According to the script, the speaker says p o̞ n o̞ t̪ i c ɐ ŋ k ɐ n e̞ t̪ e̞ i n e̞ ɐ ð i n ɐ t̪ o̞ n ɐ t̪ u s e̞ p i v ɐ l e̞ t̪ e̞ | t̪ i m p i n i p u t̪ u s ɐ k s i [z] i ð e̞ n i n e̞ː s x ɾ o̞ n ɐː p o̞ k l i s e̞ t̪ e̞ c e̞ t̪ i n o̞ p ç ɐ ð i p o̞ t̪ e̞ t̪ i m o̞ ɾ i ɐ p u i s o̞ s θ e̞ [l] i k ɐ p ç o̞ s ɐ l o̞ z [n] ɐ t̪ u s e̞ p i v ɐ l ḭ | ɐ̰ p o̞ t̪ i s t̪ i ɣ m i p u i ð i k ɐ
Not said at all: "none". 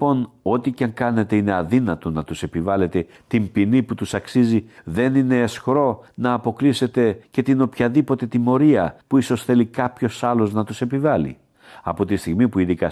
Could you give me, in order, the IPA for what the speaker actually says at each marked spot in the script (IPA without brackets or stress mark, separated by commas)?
z, l, n